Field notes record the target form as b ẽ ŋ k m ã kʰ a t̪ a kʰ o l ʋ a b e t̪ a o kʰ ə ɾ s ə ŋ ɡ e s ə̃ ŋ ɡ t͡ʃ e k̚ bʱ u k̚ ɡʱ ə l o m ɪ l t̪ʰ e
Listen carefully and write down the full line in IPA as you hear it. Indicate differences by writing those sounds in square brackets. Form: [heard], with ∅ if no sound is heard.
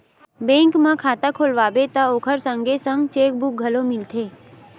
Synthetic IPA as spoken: b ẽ ŋ k m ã kʰ a t̪ a kʰ o l ʋ a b e t̪ a o kʰ ə ɾ s ə ŋ ɡ e s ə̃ ŋ ɡ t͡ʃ e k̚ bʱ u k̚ ɡʱ ə l o m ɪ l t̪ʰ e